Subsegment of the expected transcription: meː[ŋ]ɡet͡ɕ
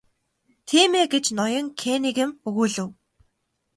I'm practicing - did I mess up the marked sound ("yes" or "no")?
yes